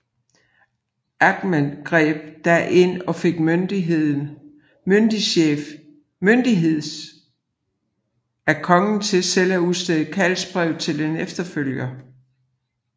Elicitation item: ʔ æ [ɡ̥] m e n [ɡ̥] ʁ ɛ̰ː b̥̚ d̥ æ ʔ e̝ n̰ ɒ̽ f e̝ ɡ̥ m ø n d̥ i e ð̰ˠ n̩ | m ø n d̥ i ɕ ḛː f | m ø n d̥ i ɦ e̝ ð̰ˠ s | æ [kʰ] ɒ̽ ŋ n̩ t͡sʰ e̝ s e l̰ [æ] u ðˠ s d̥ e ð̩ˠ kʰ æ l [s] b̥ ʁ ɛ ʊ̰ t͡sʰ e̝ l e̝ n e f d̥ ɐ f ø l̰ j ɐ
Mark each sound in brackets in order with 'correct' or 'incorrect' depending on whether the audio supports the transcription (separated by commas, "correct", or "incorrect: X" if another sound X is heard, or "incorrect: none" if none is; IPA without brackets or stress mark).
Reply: correct, correct, correct, correct, correct